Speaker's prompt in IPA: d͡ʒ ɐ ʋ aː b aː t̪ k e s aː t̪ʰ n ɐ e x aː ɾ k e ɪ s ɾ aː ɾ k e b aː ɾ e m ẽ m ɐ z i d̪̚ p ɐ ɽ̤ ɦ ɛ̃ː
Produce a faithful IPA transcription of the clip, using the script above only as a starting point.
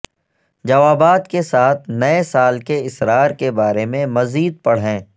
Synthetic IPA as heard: d͡ʒ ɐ ʋ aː b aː t̪ k e s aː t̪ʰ n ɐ e s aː l k e ɪ s ɾ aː ɾ k e b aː ɾ e m ẽ m ɐ z iː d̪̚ p ɐ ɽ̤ ɦ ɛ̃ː